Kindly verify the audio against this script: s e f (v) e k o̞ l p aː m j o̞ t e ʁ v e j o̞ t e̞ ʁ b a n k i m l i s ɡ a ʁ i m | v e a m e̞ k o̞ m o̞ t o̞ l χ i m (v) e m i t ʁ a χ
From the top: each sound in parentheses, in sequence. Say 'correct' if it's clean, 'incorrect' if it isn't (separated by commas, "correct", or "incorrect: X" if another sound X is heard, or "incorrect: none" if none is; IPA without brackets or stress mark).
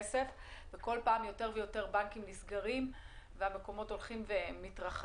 correct, correct